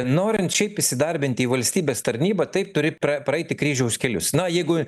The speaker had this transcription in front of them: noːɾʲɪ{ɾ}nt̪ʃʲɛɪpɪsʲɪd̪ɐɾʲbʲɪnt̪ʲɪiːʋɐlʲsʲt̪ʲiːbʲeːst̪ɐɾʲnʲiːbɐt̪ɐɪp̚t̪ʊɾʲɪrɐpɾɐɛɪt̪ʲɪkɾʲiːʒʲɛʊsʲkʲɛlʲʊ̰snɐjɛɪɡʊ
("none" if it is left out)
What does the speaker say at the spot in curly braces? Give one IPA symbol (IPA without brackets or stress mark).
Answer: none